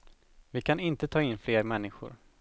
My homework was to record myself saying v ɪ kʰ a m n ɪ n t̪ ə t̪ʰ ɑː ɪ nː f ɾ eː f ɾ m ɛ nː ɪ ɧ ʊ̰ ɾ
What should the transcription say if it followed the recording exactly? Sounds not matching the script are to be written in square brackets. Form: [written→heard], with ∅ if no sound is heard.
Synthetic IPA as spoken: v ɪ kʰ a [m→∅] n ɪ n t̪ ə t̪ʰ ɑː ɪ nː f [ɾ→l] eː [f→∅] ɾ m ɛ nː ɪ ɧ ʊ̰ ɾ